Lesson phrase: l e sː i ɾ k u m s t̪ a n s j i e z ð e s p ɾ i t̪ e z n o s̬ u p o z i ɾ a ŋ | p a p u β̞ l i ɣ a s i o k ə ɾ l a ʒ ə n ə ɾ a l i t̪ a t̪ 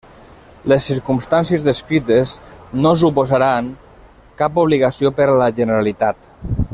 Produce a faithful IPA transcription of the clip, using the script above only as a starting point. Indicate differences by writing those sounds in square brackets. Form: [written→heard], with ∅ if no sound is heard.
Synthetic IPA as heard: l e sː i ɾ k u m s t̪ a n s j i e z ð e s [p→k] ɾ i t̪ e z n o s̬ u p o z [i→a] ɾ a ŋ | [p→k] a p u β̞ l i ɣ a s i o [k→p] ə ɾ l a ʒ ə n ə ɾ a l i t̪ a t̪